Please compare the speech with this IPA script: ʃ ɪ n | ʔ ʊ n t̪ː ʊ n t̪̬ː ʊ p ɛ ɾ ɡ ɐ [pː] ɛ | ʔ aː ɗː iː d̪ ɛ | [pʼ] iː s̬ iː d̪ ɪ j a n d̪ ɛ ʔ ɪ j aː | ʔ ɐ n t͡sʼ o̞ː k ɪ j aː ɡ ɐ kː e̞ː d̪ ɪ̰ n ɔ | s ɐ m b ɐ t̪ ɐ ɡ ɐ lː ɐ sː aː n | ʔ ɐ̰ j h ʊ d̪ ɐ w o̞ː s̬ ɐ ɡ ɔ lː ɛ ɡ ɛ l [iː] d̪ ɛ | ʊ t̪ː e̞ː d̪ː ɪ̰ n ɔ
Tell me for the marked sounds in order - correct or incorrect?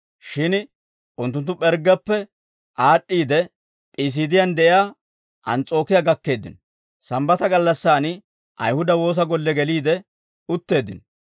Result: correct, correct, correct

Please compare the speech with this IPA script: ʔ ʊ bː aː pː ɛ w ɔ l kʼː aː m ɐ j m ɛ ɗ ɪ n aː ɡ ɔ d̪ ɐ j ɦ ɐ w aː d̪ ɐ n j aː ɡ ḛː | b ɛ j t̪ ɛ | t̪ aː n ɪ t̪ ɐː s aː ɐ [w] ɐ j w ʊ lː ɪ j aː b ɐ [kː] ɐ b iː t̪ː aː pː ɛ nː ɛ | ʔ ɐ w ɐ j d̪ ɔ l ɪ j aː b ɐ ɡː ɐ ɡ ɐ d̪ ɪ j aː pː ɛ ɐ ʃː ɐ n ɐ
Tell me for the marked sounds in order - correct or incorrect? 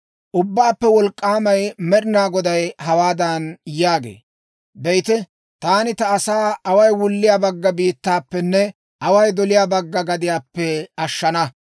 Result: correct, incorrect: ɡː

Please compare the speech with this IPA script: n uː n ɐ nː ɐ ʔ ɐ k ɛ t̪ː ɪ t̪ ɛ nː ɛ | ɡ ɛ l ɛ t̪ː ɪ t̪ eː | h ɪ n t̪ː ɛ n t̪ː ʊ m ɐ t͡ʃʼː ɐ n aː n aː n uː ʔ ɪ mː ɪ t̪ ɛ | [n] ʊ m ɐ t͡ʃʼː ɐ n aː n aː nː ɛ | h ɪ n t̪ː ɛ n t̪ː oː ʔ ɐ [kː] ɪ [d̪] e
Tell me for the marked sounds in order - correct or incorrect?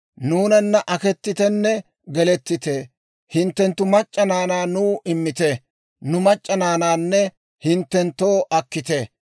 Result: correct, correct, incorrect: t̪

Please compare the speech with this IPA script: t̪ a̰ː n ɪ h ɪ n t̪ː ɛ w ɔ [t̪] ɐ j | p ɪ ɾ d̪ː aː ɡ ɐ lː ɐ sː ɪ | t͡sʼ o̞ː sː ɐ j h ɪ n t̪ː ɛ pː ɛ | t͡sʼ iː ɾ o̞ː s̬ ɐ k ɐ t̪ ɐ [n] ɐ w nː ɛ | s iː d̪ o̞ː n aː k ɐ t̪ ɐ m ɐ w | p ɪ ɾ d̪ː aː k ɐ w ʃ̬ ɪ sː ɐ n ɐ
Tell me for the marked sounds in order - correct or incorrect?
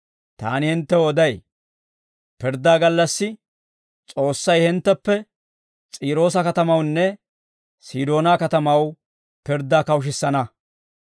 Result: incorrect: d̪, incorrect: m

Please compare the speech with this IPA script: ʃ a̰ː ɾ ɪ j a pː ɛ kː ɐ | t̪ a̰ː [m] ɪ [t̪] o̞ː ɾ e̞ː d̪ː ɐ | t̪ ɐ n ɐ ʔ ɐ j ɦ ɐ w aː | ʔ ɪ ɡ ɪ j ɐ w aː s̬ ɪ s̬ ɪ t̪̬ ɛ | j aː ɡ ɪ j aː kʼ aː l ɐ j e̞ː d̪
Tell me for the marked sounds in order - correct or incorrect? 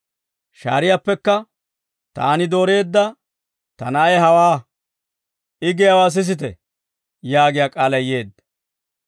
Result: incorrect: n, incorrect: d̪

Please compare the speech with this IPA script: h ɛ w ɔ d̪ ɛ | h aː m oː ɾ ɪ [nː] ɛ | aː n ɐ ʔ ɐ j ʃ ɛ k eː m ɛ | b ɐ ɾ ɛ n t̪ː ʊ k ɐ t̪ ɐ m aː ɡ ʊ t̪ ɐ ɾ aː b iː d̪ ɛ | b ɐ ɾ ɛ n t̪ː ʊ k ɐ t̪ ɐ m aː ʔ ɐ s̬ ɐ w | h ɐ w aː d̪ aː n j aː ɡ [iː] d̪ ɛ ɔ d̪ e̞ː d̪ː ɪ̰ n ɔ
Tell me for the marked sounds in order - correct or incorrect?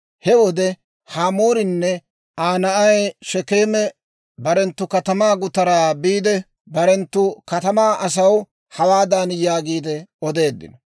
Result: correct, correct

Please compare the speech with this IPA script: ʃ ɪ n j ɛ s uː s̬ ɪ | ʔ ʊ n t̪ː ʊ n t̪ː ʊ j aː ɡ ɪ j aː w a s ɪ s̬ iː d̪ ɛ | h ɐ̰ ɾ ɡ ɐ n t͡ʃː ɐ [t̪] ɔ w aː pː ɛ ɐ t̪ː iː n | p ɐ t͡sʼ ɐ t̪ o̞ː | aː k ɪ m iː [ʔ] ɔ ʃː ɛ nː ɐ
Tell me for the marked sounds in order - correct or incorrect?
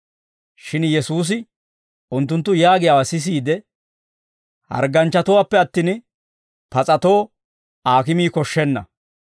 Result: correct, incorrect: k

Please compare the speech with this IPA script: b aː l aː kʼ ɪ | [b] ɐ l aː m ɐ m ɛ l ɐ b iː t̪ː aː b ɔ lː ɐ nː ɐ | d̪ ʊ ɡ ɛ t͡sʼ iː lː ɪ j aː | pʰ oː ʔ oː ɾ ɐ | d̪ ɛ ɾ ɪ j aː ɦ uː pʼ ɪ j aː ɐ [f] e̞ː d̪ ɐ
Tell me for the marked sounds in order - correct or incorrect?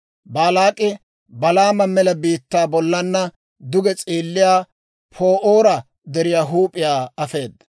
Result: correct, correct

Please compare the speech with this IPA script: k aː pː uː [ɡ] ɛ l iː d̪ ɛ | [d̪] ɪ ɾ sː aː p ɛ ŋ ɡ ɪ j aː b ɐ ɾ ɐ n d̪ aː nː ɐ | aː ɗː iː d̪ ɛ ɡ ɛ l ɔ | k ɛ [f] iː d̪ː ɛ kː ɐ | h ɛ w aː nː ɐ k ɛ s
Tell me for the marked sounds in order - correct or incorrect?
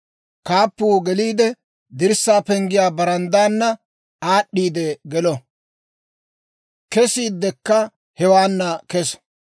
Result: correct, correct, incorrect: s

